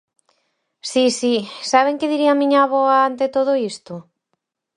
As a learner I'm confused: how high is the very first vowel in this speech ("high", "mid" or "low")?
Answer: high